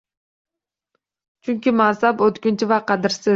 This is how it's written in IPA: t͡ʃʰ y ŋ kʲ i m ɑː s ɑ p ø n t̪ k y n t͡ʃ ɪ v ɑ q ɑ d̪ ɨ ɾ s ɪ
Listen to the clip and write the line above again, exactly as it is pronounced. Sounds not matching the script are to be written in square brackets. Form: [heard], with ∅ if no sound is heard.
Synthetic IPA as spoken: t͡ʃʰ y ŋ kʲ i m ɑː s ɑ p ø [∅] t̪ k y n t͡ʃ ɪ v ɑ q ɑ d̪ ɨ ɾ s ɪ